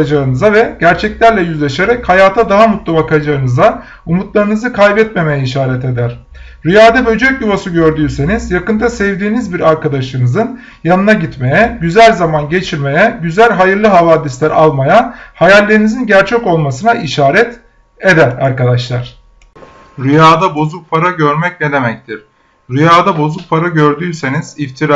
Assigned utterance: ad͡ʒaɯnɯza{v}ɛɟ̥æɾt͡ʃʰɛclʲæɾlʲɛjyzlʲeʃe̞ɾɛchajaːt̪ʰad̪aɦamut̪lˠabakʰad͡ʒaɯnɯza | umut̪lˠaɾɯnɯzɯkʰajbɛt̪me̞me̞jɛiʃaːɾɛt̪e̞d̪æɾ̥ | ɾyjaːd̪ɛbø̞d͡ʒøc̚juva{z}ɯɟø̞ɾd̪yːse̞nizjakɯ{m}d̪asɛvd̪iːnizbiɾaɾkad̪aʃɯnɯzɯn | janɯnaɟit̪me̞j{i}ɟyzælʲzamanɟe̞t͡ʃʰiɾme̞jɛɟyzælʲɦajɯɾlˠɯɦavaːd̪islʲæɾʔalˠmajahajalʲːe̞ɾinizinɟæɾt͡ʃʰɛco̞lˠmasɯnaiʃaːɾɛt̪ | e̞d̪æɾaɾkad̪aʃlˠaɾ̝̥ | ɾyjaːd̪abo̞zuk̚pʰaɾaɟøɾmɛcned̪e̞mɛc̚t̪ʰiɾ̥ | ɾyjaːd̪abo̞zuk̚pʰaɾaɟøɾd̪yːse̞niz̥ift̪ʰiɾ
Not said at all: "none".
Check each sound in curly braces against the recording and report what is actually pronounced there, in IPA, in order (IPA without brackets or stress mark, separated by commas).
v, s, n, ɛ